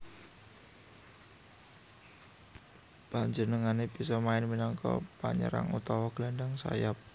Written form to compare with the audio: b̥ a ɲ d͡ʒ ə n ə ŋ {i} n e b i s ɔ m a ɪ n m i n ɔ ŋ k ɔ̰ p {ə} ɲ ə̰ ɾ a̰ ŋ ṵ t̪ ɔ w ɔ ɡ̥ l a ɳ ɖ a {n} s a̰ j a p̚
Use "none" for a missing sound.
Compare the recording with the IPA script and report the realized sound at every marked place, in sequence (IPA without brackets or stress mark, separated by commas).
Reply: a, a, ŋ